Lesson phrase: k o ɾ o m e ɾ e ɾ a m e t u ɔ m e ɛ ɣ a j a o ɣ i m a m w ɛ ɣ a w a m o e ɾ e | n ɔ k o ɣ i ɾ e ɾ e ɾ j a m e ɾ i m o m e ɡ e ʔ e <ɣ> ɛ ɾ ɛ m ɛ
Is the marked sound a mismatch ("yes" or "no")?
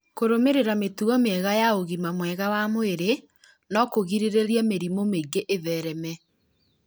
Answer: yes